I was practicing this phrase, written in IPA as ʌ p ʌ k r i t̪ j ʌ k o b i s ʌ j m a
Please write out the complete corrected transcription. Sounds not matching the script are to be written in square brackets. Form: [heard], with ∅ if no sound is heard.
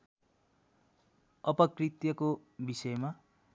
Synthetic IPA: ʌ p ʌ k r i t̪ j ʌ k o b i s ʌ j m a